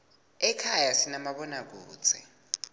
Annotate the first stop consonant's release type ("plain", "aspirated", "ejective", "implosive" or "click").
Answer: aspirated